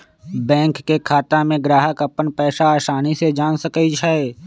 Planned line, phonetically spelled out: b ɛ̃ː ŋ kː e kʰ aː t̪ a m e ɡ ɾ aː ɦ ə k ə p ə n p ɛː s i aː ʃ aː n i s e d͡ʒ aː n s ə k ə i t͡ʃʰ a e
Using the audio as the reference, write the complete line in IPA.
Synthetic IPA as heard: b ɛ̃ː ŋ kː e kʰ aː t̪ a m ẽ ɡ ɾ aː ɦ ə k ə p ə n p ɛː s a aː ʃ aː n i s e d͡ʒ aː n s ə k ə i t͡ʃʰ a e